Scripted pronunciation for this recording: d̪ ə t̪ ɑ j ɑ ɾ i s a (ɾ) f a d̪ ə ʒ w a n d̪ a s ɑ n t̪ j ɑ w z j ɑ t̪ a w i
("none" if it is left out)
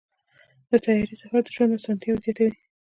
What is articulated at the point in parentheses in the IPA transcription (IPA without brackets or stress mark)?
none